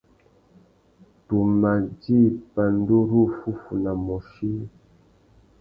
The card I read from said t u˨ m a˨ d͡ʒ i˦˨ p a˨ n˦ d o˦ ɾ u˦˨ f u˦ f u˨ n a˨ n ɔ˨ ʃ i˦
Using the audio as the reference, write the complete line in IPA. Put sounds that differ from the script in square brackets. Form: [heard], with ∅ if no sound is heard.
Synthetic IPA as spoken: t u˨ m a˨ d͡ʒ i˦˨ p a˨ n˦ d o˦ ɾ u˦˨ f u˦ f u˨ n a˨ [m] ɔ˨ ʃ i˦